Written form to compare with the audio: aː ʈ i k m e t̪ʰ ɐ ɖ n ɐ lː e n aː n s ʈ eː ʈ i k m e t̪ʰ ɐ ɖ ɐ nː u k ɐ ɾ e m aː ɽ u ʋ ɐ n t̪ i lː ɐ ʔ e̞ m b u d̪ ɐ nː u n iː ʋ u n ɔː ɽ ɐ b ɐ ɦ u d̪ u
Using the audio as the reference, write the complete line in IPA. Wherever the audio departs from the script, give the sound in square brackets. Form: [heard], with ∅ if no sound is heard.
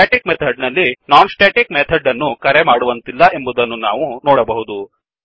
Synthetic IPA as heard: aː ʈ i k m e t̪ʰ ɐ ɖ n ɐ lː [i] n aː n s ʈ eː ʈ i k m e t̪ʰ ɐ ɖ ɐ nː u k ɐ ɾ e m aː ɽ u ʋ ɐ n t̪ i lː ɐ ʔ e̞ m b u d̪ ɐ nː u n [aː] ʋ u n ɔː ɽ ɐ b ɐ ɦ u d̪ u